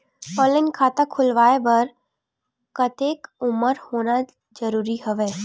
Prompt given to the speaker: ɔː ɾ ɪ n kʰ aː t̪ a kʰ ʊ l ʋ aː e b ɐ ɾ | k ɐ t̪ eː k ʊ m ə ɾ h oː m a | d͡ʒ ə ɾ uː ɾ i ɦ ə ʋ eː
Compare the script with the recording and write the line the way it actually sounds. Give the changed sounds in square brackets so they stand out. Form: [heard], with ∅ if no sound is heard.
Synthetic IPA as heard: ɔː [l] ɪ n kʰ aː t̪ a kʰ ʊ l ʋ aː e b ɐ ɾ | k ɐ t̪ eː k ʊ m ə ɾ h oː [n] a | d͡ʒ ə ɾ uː ɾ i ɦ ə ʋ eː